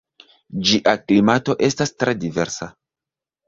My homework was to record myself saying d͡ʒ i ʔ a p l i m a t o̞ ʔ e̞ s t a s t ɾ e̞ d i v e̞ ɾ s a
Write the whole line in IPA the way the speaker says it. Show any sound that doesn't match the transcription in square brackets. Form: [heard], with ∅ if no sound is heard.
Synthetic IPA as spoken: d͡ʒ i ʔ a [k] l i m a t o̞ ʔ e̞ s t a s t ɾ e̞ d i v e̞ ɾ s a